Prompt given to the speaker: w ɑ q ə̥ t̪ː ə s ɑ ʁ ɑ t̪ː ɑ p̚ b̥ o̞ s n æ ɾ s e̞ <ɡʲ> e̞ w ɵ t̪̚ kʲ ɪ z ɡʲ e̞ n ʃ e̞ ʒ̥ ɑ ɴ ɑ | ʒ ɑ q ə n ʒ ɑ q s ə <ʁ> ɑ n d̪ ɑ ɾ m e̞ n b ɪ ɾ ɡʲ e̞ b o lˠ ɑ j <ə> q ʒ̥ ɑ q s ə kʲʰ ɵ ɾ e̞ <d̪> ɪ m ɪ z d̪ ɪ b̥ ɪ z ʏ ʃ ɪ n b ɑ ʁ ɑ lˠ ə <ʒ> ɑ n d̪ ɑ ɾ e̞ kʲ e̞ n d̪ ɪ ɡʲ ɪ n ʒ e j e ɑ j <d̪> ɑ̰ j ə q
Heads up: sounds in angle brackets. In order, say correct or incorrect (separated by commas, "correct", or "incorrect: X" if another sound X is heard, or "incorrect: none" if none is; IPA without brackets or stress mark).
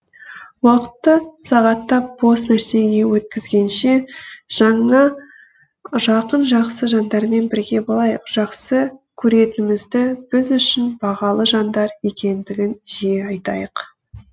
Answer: correct, incorrect: ʒ, correct, incorrect: t̪, correct, incorrect: t̪